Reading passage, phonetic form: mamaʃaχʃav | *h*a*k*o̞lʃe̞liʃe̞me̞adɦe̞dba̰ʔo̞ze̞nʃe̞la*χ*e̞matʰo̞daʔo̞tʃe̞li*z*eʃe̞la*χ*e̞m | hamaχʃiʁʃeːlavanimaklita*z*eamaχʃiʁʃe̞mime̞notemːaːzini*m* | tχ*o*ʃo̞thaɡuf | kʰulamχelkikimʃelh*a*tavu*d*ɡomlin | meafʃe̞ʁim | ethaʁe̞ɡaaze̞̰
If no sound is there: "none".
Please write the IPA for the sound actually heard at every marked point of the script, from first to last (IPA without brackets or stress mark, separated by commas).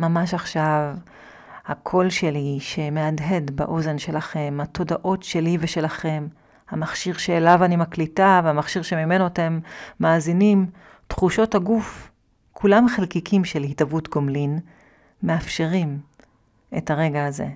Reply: h, kʰ, χ, v, χ, v, m, u, i, t